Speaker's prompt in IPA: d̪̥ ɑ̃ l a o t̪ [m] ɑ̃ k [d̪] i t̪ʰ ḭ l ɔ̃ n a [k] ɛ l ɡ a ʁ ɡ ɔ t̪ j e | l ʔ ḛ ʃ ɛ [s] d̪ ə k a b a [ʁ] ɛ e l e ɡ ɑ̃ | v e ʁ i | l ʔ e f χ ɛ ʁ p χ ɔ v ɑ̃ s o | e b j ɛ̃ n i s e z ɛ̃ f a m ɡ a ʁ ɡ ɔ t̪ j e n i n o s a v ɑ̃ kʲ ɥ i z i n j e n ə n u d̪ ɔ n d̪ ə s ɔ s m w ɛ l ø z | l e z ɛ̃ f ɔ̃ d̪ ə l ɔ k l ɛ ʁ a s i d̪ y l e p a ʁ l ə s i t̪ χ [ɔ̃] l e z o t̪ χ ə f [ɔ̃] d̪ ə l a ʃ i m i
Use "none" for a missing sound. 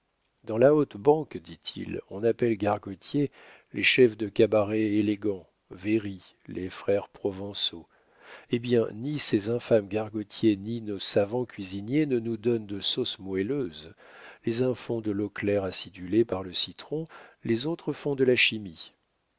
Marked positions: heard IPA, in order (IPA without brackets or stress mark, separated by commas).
b, d̪, p, f, ʁ, ɔ̃, ɔ̃